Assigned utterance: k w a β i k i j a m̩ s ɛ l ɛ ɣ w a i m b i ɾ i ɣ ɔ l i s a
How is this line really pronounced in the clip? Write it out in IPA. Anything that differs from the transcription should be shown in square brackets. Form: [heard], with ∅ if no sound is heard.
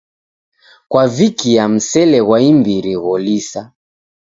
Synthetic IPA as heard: k w a [v] i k i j a m̩ s ɛ l ɛ ɣ w a i m b i ɾ i ɣ ɔ l i s a

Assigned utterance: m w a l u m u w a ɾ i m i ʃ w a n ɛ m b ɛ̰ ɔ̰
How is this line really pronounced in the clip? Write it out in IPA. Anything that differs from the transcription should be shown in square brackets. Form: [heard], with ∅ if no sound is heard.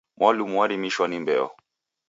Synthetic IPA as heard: m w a l u m u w a ɾ i m i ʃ w a n [i] m b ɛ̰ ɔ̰

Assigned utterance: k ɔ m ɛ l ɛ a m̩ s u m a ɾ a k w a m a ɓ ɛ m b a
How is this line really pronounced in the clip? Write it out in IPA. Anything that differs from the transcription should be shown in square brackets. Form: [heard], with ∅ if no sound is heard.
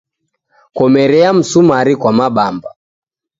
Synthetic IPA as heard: k ɔ m ɛ [ɾ] ɛ a m̩ s u m a ɾ [i] k w a m a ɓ [a] m b a

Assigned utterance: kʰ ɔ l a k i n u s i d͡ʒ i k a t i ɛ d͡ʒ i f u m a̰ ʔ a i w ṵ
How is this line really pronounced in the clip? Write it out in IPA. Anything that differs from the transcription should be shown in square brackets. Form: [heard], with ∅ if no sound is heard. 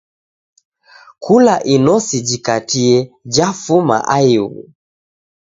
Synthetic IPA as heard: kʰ [u] l a [ʔ] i n [ɔ] s i d͡ʒ i k a t i ɛ d͡ʒ [a] f u m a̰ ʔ a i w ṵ

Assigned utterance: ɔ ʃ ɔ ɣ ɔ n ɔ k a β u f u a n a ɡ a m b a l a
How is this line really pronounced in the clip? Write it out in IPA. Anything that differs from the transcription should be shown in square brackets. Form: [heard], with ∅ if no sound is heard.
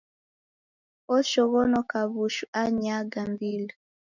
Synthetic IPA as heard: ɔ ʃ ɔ ɣ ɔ n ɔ k a β u [ʃ] u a [ɲ] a ɡ a m b [i] l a

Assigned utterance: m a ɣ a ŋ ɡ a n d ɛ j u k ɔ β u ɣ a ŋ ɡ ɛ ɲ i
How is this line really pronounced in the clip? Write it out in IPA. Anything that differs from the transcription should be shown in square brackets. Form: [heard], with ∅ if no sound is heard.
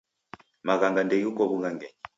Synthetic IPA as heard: m a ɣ a ŋ ɡ a n d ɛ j u k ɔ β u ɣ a ŋ ɡ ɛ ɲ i

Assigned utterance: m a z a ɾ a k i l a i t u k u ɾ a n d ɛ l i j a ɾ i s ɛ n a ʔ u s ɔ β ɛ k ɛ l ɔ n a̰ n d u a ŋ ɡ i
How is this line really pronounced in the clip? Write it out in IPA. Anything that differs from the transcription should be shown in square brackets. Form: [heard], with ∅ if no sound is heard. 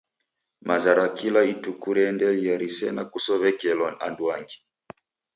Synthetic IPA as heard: m a z a ɾ a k i l a i t u k u ɾ [ɛ] n d ɛ l i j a ɾ i s ɛ n a [k] u s ɔ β ɛ k ɛ l ɔ n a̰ n d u a ŋ ɡ i

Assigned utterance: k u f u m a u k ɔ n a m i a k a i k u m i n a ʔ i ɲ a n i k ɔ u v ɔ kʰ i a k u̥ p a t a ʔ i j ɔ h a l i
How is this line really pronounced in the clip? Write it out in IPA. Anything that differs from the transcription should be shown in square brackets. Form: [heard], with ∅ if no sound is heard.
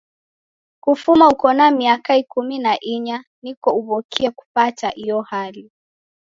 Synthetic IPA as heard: k u f u m a u k ɔ n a m i a k a i k u m i n a ʔ i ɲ a n i k ɔ u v ɔ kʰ i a k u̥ p a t a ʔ i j ɔ h a l i

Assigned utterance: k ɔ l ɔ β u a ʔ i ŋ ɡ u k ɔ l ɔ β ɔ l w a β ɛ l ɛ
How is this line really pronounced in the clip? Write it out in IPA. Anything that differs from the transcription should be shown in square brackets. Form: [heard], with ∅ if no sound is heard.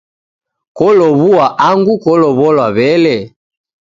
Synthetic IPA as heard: k ɔ l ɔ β u a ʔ [a] ŋ ɡ u k ɔ l ɔ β ɔ l w a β ɛ l ɛ

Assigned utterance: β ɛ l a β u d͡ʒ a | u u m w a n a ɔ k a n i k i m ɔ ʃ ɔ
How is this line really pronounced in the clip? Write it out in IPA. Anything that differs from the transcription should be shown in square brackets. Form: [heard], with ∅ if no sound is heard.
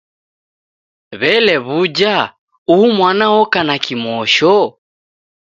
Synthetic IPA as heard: β ɛ l [ɛ] β u d͡ʒ a | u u m w a n a ɔ k a n [a] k i m ɔ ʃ ɔ

